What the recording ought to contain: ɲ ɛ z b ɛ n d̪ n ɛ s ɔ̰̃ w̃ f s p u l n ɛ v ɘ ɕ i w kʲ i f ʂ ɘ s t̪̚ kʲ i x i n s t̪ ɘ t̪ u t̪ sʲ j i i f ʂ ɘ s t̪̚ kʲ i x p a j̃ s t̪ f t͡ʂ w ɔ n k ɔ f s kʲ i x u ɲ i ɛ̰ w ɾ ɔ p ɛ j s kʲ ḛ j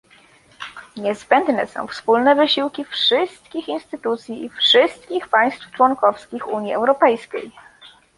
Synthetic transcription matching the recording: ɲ ɛ z b ɛ n d̪ n ɛ s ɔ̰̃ w̃ f s p u l n ɛ v ɘ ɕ i w kʲ i f ʂ ɘ s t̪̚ kʲ i x i n s t̪ ɘ t̪ u t̪ sʲ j i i f ʂ ɘ s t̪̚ kʲ i x p a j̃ s t̪ f t͡ʂ w ɔ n k ɔ f s kʲ i x u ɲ i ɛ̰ w ɾ ɔ p ɛ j s kʲ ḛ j